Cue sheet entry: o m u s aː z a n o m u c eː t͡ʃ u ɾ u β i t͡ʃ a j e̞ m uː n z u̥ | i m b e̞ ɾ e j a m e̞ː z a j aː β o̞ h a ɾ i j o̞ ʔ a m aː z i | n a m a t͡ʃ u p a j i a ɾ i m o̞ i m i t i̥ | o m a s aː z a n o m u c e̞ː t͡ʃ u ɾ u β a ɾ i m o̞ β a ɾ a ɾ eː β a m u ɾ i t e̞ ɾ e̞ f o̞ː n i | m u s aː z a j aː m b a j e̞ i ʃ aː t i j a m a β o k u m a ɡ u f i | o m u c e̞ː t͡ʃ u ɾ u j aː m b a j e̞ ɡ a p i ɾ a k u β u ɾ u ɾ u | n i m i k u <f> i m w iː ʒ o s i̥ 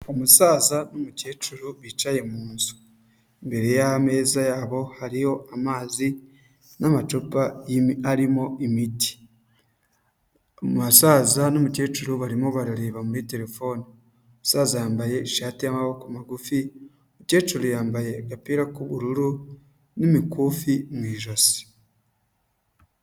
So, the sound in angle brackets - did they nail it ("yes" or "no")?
yes